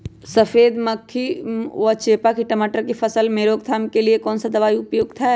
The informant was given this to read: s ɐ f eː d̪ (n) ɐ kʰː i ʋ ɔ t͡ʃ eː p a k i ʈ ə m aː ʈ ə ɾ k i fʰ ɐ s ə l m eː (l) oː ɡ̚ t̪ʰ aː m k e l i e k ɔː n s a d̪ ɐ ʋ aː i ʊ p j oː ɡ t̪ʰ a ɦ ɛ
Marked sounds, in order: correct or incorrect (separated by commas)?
incorrect, incorrect